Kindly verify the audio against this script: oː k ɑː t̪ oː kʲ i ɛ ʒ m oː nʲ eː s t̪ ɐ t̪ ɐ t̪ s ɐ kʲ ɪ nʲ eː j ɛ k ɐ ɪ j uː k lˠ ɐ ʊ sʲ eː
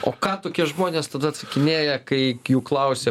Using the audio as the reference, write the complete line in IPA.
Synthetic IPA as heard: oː k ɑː t̪ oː kʲ i ɛ ʒ m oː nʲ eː s t̪ ɐ d̪ ɐ t̪ s ɐ kʲ ɪ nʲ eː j ɛ k ɐ ɪ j uː k lˠ ɐ ʊ sʲ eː

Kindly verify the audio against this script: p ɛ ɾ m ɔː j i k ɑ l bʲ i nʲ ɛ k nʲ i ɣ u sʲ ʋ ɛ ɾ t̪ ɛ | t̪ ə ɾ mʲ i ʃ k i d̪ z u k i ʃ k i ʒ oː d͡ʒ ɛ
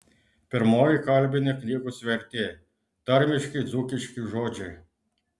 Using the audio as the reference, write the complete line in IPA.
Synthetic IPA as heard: p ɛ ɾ m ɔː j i k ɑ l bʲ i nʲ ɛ k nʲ i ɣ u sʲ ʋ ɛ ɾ t̪ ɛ | t̪ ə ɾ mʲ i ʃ k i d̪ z u k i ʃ k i ʒ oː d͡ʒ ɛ

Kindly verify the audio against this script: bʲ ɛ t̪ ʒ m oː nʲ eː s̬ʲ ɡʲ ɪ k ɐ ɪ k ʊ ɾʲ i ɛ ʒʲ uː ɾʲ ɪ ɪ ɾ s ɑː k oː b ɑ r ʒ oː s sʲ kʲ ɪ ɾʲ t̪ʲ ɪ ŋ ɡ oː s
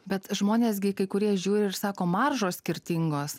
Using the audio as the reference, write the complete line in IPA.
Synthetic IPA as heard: bʲ ɛ t̪ ʒ m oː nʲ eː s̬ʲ ɡʲ ɪ k ɐ ɪ k ʊ ɾʲ i ɛ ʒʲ uː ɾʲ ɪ ɪ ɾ s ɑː k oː m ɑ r ʒ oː s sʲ kʲ ɪ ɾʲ t̪ʲ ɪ ŋ ɡ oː s

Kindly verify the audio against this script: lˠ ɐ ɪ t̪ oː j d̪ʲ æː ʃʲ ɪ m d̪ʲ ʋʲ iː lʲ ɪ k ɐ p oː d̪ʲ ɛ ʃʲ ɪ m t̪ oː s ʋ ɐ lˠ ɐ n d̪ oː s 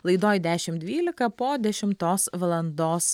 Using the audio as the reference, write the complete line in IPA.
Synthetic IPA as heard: lˠ ɐ ɪ d̪ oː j d̪ʲ æː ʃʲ ɪ m d̪ʲ ʋʲ iː lʲ ɪ k ɐ p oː d̪ʲ ɛ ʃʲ ɪ m t̪ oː s ʋ ɐ lˠ ɐ n d̪ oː s

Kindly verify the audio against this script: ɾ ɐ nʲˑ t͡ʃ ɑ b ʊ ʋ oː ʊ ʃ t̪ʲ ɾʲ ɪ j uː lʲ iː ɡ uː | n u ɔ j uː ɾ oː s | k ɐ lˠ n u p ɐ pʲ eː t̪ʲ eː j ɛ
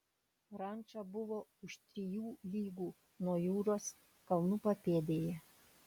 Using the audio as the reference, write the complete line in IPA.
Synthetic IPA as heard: ɾ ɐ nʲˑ t͡ʃ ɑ b ʊ ʋ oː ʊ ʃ t̪ʲ ɾʲ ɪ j uː lʲ iː ɡ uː | n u ɔ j uː ɾ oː s | k ɐ lˠ n u p ɐ pʲ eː d̪ʲ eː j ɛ

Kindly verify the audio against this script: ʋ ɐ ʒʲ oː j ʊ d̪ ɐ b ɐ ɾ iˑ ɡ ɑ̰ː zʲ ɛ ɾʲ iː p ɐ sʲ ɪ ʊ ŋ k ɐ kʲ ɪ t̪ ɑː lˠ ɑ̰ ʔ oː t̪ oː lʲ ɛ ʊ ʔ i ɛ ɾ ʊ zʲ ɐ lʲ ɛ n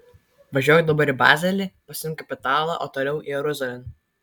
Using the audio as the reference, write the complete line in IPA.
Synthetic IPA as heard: ʋ ɐ ʒʲ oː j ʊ d̪ ɐ b ɐ ɾ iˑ b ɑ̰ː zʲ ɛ lʲ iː p ɐ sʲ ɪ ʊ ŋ k ɐ pʲ ɪ t̪ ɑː lˠ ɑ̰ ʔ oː t̪ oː lʲ ɛ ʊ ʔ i ɛ ɾ ʊ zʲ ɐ lʲ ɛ n

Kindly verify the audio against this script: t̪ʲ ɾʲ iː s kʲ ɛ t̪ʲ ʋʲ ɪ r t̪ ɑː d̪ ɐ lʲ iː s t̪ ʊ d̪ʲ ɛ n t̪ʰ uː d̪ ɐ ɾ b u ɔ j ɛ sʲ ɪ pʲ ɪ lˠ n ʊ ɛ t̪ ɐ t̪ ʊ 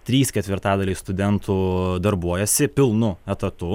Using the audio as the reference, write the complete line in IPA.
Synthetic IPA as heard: t̪ʲ ɾʲ iː s kʲ ɛ t̪ʲ ʋʲ ɪ ɾ t̪ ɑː d̪ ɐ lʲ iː s t̪ ʊ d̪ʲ ɛ n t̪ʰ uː d̪ ɐ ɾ b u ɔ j ɛ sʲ ɪ pʲ ɪ lˠ n ʊ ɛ t̪ ɐ t̪ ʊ

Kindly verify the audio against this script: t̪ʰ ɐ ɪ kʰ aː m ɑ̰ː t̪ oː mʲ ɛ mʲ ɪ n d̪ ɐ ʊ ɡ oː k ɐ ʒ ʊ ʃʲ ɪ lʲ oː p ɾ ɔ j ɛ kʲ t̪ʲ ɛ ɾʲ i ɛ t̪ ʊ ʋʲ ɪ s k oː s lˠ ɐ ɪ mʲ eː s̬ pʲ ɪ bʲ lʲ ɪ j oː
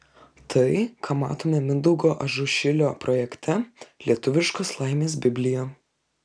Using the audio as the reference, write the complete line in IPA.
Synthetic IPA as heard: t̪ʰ ɐ ɪ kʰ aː m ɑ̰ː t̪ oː mʲ ɛ mʲ ɪ n d̪ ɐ ʊ ɡ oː ʔ ɐ ʒ ʊ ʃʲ ɪ lʲ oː p ɾ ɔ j ɛ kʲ t̪ʲ ɛ lʲ i ɛ t̪ ʊ ʋʲ ɪ ʃ k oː s lˠ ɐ ɪ mʲ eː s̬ bʲ ɪ bʲ lʲ ɪ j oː

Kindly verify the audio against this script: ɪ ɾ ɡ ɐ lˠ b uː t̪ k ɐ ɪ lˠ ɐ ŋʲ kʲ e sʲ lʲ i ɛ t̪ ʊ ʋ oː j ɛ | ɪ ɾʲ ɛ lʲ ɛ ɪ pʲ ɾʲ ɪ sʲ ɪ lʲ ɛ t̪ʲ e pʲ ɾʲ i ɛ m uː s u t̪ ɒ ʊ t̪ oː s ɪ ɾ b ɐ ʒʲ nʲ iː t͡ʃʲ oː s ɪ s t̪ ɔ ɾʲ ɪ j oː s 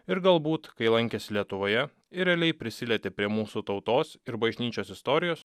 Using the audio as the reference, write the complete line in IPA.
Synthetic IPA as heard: ɪ ɾ ɡ ɐ lˠ b uː t̪ k ɐ ɪ lˠ ɐ ŋʲ kʲ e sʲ lʲ i ɛ t̪ ʊ ʋ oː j ɛ | ɪ ɾʲ ɛ lʲ ɛ ɪ pʲ ɾʲ ɪ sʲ ɪ lʲ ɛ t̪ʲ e pʲ ɾʲ i ɛ m uː s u t̪ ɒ ʊ t̪ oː s ɪ ɾ b ɐ ʒʲ nʲ iː t͡ʃʲ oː s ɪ s t̪ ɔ ɾʲ ɪ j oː s

